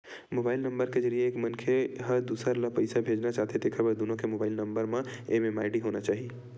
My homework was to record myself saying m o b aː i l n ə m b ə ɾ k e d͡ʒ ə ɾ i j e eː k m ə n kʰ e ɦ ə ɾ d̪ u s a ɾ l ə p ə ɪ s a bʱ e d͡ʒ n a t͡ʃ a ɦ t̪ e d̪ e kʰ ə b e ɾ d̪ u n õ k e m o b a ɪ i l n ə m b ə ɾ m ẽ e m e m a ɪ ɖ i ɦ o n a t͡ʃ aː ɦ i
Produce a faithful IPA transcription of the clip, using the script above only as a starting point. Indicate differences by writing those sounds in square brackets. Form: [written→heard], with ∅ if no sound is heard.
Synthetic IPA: m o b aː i l n ə m b ə ɾ k e d͡ʒ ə ɾ i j e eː k m ə n kʰ e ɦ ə ɾ d̪ u s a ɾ l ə p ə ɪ s a bʱ e d͡ʒ n a t͡ʃ a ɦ t̪ e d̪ e kʰ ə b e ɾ d̪ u n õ k e m o b a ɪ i l n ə m b ə ɾ m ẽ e m e m a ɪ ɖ i ɦ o n a t͡ʃ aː ɦ i